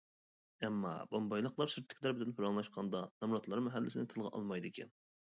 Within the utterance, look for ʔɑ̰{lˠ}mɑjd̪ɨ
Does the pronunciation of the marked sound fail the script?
no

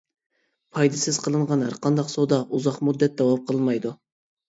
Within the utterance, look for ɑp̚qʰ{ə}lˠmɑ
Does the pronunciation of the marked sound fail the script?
no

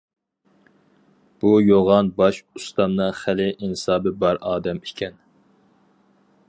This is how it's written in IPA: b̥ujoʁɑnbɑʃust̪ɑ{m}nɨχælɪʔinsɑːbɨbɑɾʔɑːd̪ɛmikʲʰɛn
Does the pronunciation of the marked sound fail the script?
no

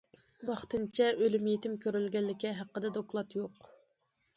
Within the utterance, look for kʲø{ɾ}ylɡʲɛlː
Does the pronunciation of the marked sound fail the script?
no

